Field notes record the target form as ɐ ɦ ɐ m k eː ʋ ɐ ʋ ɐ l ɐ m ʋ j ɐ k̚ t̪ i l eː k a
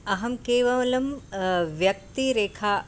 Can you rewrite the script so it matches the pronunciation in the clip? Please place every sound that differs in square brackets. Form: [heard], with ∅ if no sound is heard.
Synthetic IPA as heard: ɐ ɦ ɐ m k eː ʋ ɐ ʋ ɐ l ɐ m ʋ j ɐ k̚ t̪ i [ɾ] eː [kʰ] a